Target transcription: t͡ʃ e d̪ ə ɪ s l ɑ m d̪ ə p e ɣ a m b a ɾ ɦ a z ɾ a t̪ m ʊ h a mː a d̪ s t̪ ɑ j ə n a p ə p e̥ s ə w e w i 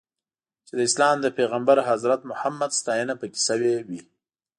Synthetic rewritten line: t͡ʃ e d̪ ə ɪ s l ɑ m d̪ ə p e ɣ a m b a ɾ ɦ a z ɾ a t̪ m ʊ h a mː a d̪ s t̪ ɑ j ə n a p ə k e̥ s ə w e w i

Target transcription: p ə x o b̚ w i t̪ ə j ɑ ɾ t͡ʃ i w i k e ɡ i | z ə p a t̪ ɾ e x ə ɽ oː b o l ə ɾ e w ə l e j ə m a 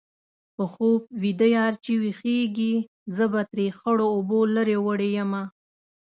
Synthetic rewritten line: p ə x o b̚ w i d̪ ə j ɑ ɾ t͡ʃ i w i x e ɡ i | z ə b a t̪ ɾ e x ə ɽ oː b o l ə ɾ e w ə ɽ e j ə m a

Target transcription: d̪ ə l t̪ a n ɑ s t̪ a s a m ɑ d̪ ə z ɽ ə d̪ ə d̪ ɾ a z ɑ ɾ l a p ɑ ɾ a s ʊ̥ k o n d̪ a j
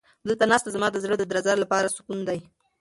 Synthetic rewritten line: d̪ ə l t̪ a n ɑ s t̪ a z a m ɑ d̪ ə z ɽ ə d̪ ə d̪ ɾ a z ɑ ɾ l a p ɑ ɾ a s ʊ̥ k u n d̪ a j

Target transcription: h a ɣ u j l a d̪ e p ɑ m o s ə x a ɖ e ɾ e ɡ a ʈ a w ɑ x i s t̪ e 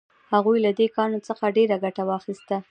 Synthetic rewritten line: h a ɣ u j l a d̪ e k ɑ n o t͡s ə x a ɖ e ɾ a ɡ a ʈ a w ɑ x i s t̪ a

